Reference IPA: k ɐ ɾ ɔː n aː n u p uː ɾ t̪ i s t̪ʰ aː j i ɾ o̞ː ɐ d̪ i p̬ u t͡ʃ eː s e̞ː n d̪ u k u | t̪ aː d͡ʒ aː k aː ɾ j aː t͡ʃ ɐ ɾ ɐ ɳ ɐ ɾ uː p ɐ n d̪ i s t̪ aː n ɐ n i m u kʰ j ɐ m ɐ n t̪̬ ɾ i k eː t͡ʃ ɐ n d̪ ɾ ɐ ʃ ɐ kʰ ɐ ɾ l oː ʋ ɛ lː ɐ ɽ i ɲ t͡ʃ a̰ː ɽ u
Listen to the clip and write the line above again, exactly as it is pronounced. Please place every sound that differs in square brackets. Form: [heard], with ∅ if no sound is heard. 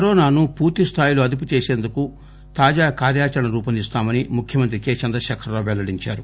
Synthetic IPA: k ɐ ɾ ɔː n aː n u p uː ɾ t̪ i s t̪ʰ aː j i [l] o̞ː ɐ d̪ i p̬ u t͡ʃ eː s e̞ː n d̪ u k u | t̪ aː d͡ʒ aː k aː ɾ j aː t͡ʃ ɐ ɾ ɐ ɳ ɐ ɾ uː p ɐ n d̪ i s t̪ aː [m] ɐ n i m u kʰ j ɐ m ɐ n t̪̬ ɾ i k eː t͡ʃ ɐ n d̪ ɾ ɐ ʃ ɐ kʰ ɐ ɾ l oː ʋ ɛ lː ɐ ɽ i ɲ t͡ʃ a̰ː [ɾ] u